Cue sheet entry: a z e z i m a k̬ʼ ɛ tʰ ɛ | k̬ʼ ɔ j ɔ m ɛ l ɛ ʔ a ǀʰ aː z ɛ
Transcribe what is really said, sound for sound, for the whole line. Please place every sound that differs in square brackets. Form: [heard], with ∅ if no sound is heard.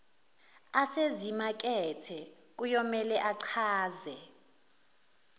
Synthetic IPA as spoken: a [s] e z i m a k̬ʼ ɛ tʰ ɛ | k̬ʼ [u] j ɔ m ɛ l ɛ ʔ a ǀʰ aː z ɛ